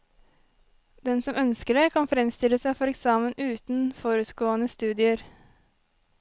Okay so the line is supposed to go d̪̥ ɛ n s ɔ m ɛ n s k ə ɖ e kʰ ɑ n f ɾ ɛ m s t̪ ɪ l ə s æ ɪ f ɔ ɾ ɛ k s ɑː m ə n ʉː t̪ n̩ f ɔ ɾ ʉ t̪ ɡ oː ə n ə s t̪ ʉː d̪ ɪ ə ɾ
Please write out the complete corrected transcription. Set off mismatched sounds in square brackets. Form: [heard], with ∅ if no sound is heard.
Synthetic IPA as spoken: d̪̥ ɛ n s ɔ m [œ] n s k ə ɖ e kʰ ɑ n f ɾ ɛ m s t̪ ɪ l ə s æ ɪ f ɔ ɾ ɛ k s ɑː m ə n ʉː t̪ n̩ f ɔ ɾ ʉ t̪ ɡ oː ə n ə s t̪ ʉː d̪ ɪ ə ɾ